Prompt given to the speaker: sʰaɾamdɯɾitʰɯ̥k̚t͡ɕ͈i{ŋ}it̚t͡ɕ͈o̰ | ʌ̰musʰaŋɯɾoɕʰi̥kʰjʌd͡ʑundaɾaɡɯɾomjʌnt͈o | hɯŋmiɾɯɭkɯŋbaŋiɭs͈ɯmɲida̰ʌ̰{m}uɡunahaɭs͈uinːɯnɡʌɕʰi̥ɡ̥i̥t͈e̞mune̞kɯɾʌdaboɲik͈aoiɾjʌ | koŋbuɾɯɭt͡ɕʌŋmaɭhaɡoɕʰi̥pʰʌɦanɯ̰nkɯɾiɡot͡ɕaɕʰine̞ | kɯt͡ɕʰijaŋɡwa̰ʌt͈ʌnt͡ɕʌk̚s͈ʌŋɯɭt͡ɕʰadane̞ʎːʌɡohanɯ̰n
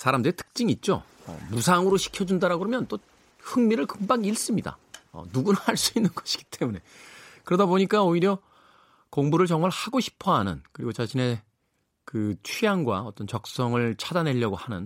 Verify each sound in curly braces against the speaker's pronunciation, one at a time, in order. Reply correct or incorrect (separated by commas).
correct, incorrect